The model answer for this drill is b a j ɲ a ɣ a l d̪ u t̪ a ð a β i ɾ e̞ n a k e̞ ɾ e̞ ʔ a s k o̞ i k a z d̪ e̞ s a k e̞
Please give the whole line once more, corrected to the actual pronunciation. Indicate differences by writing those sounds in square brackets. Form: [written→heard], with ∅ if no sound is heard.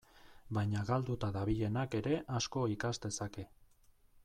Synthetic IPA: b a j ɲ a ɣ a l d̪ u t̪ a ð a β i [ɾ→ʎ] e̞ n a k e̞ ɾ e̞ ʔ a s k o̞ i k a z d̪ e̞ s a k e̞